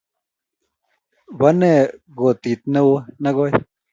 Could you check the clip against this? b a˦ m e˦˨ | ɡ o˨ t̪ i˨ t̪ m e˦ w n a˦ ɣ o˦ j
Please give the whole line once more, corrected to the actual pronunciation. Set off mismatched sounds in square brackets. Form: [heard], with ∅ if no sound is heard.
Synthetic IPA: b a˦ [n] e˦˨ | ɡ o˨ t̪ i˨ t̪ [n] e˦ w n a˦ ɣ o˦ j